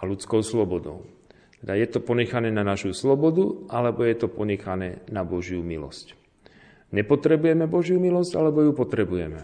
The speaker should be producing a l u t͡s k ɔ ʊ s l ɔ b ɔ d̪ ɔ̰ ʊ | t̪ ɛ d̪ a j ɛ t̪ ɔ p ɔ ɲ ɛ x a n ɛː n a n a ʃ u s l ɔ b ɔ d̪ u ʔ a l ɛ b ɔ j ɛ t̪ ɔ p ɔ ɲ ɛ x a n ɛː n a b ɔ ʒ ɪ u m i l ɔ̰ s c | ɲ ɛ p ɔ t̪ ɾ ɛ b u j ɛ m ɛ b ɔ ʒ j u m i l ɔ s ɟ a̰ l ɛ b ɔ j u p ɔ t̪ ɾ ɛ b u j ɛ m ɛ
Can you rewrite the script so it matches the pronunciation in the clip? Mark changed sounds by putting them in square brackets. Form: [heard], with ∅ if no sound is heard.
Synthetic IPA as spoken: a l u t͡s k ɔ ʊ s l ɔ b ɔ d̪ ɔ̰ ʊ | t̪ ɛ d̪ a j ɛ t̪ ɔ p ɔ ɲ ɛ x a n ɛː n a n a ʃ u s l ɔ b ɔ d̪ u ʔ a l ɛ b ɔ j ɛ t̪ ɔ p ɔ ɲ ɛ x a n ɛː n a b ɔ ʒ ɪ u m i l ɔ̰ s c | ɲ ɛ p ɔ t̪ ɾ ɛ b u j ɛ m ɛ b ɔ ʒ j u m i l ɔ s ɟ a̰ l ɛ b ɔ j u p ɔ t̪ ɾ ɛ b u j ɛ m ɛ